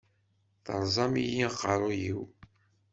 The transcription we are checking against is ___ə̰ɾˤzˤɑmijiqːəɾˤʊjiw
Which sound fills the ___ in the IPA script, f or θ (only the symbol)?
θ